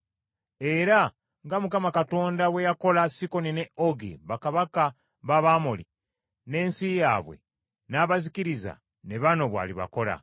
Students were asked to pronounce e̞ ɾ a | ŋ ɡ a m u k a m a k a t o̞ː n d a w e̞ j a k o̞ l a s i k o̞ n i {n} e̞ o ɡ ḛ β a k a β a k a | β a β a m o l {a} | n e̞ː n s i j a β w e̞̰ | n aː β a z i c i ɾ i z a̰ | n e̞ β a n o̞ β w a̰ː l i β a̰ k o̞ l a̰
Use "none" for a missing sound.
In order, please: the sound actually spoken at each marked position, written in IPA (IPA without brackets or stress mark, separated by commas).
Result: n, i